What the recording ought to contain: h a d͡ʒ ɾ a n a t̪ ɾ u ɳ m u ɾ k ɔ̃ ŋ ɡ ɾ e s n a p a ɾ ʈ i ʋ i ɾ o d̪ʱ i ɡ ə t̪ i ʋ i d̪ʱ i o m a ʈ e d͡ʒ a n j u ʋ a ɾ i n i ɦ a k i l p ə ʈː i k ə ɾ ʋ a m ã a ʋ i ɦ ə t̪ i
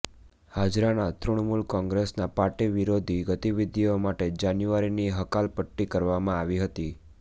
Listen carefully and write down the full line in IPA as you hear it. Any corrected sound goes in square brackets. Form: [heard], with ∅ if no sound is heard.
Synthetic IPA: h a d͡ʒ ɾ a n a t̪ ɾ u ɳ m u [l] k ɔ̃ ŋ ɡ ɾ e s n a p a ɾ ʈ i ʋ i ɾ o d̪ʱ i ɡ ə t̪ i ʋ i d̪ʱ i o m a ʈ e d͡ʒ a n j u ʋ a ɾ i n i ɦ [ə] k [a] l p ə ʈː i k ə ɾ ʋ a m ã a ʋ i ɦ ə t̪ i

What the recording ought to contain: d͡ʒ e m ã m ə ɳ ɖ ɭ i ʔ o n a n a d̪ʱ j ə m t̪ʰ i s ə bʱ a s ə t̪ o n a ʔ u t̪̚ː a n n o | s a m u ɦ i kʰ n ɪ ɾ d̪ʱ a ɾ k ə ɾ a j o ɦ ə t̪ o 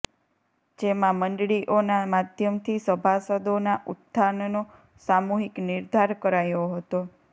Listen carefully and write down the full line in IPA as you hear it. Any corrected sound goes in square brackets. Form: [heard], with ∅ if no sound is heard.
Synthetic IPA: d͡ʒ e m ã m ə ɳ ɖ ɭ i ʔ o n a [m] a d̪ʱ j ə m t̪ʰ i s ə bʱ a s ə [d̪] o n a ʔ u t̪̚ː a n n o | s a m u ɦ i [k] n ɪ ɾ d̪ʱ a ɾ k ə ɾ a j o ɦ ə t̪ o

